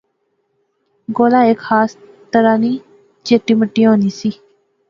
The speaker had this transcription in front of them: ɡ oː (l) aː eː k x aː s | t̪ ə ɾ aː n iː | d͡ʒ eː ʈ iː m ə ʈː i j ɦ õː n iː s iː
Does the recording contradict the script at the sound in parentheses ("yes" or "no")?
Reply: no